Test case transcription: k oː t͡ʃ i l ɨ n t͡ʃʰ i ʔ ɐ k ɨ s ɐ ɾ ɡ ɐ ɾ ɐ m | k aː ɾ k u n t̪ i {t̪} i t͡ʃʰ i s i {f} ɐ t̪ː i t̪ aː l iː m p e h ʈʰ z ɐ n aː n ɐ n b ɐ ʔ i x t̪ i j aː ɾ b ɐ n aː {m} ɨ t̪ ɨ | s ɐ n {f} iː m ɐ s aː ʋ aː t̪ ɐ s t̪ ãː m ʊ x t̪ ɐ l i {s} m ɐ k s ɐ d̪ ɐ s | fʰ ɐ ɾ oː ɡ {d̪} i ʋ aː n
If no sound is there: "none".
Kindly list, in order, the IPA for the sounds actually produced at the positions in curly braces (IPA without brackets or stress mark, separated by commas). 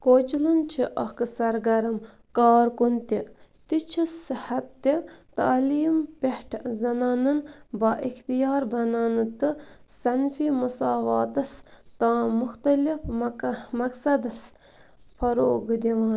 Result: t̪, h, n, f, f, d̪